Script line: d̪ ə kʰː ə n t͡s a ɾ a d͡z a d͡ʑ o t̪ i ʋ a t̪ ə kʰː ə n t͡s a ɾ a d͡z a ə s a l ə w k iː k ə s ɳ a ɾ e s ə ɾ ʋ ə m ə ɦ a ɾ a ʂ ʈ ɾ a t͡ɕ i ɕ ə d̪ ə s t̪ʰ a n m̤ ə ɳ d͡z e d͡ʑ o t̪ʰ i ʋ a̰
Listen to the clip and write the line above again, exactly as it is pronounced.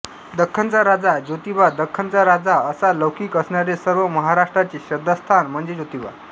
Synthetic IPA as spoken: d̪ ə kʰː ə n t͡s a ɾ a d͡z a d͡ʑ o t̪ i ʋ a d̪ ə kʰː ə n t͡s a ɾ a d͡z a ə s a l ə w k iː k ə s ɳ a ɾ e s ə ɾ ʋ ə m ə ɦ a ɾ a ʂ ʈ ɾ a t͡ɕ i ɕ ə d̪ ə s t̪ʰ a n m̤ ə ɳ d͡z e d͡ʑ o t̪ i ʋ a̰